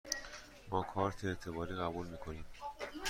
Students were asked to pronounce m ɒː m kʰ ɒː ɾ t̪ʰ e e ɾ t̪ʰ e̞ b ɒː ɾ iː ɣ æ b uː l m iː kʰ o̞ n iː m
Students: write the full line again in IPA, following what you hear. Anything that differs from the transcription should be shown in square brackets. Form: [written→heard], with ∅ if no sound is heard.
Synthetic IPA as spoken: m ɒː [m→∅] kʰ ɒː ɾ t̪ʰ e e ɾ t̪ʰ e̞ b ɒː ɾ iː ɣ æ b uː l m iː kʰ o̞ n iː m